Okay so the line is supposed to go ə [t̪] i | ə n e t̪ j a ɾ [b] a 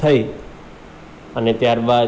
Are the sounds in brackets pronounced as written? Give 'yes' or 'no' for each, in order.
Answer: no, yes

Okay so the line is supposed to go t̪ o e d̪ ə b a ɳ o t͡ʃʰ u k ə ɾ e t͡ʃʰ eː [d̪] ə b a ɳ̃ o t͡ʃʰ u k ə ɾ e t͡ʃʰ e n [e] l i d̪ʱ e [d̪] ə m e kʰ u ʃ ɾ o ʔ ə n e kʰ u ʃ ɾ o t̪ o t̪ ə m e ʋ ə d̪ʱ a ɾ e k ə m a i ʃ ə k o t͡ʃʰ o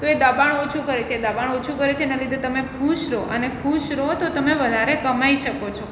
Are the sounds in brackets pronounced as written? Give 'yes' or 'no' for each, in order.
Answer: yes, no, no

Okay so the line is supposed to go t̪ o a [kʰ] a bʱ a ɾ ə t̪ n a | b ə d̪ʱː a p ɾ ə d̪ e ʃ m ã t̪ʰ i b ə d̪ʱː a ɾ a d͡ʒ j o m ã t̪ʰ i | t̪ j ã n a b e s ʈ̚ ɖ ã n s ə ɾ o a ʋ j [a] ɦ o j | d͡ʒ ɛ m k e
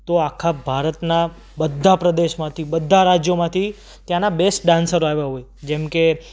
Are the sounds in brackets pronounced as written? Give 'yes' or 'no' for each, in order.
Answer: yes, yes

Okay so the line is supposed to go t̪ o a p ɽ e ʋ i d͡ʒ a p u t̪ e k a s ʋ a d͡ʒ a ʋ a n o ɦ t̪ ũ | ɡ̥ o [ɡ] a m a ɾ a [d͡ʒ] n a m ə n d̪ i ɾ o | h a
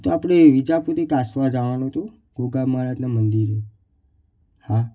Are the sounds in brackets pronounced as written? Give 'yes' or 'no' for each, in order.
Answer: yes, yes

